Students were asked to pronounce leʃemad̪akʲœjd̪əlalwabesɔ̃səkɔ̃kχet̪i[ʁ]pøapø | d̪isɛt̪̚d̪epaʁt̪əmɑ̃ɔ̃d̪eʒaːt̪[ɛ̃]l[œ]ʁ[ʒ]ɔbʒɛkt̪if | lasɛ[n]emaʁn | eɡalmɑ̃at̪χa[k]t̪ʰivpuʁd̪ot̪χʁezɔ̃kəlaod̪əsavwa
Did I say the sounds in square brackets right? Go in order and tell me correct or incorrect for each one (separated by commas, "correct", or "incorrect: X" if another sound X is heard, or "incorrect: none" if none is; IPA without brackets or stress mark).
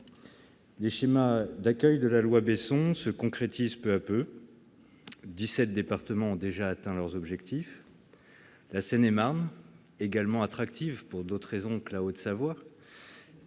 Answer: incorrect: z, correct, correct, incorrect: z, correct, correct